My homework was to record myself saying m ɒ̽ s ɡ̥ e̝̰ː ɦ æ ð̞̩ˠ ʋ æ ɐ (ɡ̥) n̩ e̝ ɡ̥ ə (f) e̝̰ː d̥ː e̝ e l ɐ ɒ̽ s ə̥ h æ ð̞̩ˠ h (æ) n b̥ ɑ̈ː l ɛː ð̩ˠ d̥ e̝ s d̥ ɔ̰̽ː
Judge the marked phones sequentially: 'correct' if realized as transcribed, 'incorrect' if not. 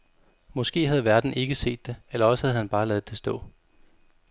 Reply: incorrect, incorrect, correct

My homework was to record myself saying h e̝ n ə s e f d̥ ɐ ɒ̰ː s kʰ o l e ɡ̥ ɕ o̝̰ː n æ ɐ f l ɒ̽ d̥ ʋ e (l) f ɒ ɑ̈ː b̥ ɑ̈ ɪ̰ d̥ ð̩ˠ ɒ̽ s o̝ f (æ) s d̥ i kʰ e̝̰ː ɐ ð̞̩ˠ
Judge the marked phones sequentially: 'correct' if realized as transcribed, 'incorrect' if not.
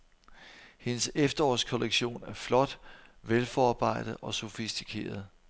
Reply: correct, incorrect

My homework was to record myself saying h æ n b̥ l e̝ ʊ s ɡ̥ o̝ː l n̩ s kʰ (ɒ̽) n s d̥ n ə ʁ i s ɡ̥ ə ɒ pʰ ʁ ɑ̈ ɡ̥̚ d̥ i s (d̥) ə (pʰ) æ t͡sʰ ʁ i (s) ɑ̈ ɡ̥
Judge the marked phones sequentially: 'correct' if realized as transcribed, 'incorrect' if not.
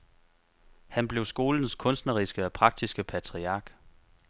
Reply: incorrect, incorrect, correct, incorrect

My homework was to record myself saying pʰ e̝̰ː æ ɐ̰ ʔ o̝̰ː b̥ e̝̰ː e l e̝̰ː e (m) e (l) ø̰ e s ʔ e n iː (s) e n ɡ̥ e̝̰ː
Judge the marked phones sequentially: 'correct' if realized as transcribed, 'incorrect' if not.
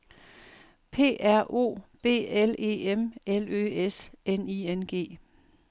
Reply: correct, correct, incorrect

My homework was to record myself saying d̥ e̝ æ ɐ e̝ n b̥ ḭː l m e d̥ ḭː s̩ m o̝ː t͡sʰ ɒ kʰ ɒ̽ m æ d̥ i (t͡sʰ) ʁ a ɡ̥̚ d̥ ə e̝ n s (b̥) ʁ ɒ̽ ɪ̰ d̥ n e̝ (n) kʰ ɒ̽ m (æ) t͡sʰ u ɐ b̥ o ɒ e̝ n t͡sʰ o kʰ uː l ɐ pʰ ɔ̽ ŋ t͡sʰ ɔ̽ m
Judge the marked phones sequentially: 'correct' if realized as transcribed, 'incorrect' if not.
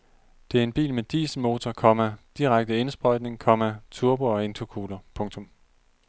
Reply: incorrect, correct, incorrect, correct

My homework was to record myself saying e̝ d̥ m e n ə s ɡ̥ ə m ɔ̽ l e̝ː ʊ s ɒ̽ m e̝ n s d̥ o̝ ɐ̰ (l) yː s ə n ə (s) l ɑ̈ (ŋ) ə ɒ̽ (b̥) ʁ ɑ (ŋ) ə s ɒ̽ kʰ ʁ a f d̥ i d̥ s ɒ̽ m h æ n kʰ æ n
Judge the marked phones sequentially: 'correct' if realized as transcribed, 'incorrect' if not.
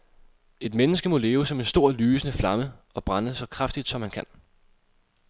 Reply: correct, incorrect, incorrect, correct, incorrect

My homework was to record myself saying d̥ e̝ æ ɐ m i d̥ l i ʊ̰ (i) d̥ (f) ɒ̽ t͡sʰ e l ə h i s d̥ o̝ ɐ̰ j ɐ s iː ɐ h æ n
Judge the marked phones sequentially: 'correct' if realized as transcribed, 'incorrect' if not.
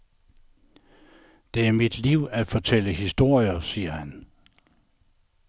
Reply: incorrect, correct

